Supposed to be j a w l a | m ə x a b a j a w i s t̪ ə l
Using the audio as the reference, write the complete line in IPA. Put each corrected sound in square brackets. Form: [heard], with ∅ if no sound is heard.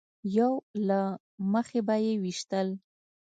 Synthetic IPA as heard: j a w l a | m ə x [e] b a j [e] w i [ʃ] t̪ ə l

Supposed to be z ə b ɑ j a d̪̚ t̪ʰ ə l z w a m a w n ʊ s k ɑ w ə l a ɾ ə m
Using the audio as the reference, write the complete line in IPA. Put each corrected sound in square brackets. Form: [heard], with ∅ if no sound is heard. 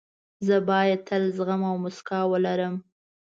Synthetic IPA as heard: z ə b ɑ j a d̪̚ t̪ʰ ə l z [ɣ] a m a w [m] ʊ s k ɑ w ə l a ɾ ə m

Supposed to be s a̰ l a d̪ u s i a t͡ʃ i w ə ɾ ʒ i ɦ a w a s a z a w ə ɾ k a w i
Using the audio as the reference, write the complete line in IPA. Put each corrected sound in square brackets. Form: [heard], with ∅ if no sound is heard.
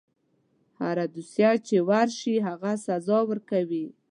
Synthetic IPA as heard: [h] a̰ [ɾ] a d̪ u s [j] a t͡ʃ [e] w [a] ɾ [ʃ] i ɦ a [ɣ] a s a z [ɑ] w ə ɾ k a w i

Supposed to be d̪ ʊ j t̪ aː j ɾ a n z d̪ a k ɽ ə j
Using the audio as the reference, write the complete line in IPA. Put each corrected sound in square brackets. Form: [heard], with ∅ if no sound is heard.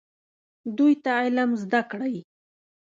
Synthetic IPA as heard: d̪ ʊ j t̪ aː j [l] a [m] z d̪ a k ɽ [a] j

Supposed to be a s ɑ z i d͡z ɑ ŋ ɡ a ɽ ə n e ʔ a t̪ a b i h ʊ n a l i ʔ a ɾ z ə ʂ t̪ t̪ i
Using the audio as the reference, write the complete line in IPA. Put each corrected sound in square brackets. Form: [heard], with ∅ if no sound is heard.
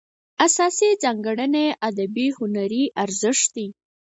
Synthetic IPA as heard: a s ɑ [s] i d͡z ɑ ŋ ɡ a ɽ ə n e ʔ a [d̪] a b i h ʊ n a [ɾ] i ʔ a ɾ z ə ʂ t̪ [d̪] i

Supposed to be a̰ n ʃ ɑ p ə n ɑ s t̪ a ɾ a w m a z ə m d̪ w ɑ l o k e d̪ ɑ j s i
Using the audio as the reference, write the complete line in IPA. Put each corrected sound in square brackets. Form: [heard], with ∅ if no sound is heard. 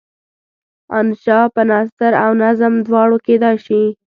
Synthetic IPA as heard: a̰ n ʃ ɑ p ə n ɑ s t̪ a ɾ a w [n] a z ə m d̪ w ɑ [ɽ] o k e d̪ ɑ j [ʃ] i

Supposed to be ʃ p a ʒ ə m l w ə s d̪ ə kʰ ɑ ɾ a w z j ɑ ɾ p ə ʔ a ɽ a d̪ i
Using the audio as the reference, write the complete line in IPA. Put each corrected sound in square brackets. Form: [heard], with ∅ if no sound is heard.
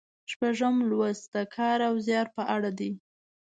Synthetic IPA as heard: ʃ p a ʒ ə m l w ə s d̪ ə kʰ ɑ ɾ a w z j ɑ ɾ p ə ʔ a ɽ a d̪ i

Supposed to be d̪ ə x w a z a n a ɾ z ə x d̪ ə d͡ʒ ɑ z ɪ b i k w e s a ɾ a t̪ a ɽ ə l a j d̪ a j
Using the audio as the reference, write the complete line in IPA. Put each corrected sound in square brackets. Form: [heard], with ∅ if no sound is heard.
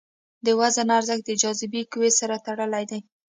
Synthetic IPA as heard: d̪ ə [∅] w a z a n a ɾ z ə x d̪ ə d͡ʒ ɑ z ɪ b i k w e s a ɾ a t̪ a ɽ ə l a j d̪ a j

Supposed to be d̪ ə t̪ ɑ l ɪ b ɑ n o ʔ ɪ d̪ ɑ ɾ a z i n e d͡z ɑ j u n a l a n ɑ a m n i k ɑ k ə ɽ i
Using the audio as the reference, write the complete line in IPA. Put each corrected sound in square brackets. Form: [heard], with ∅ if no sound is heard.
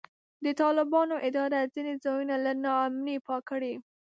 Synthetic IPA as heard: d̪ ə t̪ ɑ l ɪ b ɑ n o ʔ ɪ d̪ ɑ ɾ a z i n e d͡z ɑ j u n a l a n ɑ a m n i [p] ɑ k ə ɽ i

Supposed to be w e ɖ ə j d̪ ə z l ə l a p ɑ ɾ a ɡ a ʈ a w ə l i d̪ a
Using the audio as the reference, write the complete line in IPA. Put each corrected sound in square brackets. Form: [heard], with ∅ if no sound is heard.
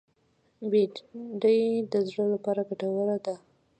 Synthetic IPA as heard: [b] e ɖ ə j d̪ ə z [ɽ] ə l a p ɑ ɾ a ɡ a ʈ a w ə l [a] d̪ a

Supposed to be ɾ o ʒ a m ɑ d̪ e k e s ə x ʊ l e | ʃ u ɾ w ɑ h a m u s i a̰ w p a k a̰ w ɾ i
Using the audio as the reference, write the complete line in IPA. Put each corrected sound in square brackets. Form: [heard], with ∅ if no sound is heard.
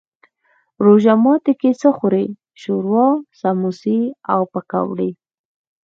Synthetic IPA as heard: ɾ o ʒ a m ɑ [t̪] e k e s ə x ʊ [ɾ] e | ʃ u ɾ w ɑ [s] a m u s i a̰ w p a k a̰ w [ɽ] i

